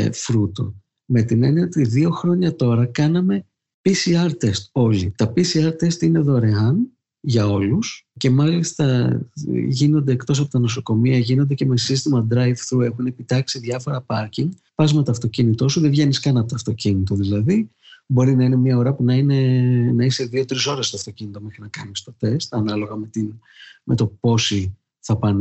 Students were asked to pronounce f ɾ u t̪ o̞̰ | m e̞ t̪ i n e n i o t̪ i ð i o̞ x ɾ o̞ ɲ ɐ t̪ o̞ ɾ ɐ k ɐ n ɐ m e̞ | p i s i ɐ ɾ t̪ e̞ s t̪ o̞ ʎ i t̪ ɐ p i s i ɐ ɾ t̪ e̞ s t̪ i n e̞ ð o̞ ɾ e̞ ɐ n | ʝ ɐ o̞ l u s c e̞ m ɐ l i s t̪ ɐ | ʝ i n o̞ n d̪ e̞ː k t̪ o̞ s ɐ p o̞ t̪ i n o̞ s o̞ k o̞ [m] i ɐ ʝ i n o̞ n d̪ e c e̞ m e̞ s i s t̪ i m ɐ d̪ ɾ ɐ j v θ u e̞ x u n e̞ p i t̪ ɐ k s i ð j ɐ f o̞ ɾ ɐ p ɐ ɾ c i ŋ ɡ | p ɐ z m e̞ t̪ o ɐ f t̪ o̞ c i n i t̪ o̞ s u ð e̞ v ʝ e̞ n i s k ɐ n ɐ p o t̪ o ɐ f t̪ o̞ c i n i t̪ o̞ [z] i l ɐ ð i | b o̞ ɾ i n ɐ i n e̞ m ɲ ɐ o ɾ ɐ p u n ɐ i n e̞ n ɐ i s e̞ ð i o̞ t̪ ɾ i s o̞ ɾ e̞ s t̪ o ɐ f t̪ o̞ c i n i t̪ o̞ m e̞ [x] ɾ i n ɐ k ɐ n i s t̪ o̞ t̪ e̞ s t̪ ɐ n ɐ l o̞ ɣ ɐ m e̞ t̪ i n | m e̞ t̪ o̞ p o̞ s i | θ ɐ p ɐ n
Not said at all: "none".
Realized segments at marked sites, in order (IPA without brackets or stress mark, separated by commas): m, ð, x